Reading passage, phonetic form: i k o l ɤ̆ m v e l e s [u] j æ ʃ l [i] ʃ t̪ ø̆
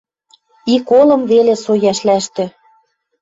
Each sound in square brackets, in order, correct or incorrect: incorrect, incorrect

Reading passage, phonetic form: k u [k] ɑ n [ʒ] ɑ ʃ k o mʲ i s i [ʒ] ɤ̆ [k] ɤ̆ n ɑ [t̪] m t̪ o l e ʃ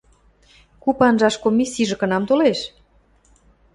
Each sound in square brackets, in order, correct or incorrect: incorrect, correct, correct, correct, incorrect

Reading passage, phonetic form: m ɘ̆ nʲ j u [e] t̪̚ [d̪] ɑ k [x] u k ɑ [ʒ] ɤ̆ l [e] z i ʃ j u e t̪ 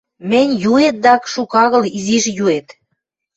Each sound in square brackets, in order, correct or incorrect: correct, correct, incorrect, incorrect, incorrect

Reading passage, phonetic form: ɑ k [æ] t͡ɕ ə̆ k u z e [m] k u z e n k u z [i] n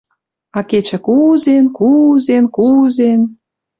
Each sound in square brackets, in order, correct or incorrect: incorrect, incorrect, incorrect

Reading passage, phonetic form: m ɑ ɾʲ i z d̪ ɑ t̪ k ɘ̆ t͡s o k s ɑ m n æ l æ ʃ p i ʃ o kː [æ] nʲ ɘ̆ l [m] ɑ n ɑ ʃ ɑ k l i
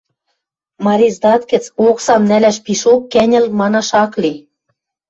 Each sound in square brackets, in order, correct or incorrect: correct, correct

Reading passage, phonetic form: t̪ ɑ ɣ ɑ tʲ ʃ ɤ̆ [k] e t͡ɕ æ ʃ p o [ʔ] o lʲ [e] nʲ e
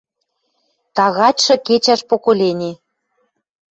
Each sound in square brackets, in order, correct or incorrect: correct, incorrect, correct

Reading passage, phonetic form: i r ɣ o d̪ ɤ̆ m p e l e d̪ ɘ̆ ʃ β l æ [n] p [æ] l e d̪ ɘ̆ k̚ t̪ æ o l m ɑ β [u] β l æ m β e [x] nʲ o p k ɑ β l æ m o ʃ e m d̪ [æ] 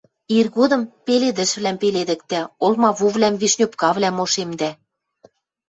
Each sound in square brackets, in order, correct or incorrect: incorrect, incorrect, correct, incorrect, correct

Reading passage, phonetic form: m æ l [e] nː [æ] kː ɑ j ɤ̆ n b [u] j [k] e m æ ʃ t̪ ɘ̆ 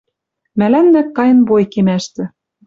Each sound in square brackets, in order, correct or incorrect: incorrect, correct, incorrect, correct

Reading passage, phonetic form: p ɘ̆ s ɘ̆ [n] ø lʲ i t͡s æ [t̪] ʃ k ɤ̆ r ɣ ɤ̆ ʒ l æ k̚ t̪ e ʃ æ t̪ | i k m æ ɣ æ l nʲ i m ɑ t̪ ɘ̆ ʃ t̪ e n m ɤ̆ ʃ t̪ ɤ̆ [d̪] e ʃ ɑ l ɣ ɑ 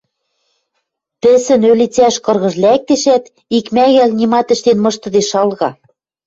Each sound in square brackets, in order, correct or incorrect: correct, incorrect, correct

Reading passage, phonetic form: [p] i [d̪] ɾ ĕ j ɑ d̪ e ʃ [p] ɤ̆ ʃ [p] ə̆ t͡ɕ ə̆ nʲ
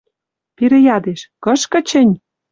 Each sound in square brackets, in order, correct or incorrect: correct, incorrect, incorrect, incorrect

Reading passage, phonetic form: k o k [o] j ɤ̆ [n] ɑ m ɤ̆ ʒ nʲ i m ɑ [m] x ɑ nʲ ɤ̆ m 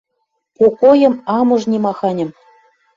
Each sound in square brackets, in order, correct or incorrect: correct, incorrect, incorrect

